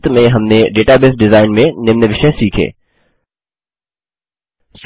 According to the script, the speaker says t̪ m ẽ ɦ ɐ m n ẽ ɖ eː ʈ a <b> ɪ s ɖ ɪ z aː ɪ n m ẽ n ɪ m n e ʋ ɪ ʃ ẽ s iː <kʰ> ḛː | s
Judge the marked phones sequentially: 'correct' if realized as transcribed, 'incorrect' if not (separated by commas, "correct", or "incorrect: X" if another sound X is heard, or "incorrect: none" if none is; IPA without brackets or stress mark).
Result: correct, correct